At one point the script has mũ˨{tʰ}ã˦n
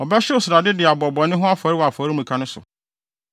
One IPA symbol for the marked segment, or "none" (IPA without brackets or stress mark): kʰ